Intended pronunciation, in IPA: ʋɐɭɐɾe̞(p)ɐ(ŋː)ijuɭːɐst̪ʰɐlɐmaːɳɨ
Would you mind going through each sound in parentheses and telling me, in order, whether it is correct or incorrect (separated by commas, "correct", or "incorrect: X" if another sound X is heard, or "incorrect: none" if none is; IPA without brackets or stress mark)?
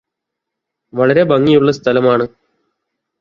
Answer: incorrect: b, correct